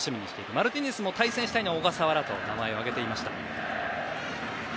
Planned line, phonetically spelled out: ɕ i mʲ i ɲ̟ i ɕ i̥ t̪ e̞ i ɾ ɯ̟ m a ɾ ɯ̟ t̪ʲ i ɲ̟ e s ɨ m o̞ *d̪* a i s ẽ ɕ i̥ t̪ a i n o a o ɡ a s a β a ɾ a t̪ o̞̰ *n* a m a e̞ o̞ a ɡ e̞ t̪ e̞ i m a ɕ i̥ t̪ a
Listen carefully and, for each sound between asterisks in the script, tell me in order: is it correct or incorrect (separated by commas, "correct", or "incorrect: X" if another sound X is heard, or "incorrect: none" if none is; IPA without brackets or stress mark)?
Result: incorrect: t̪, correct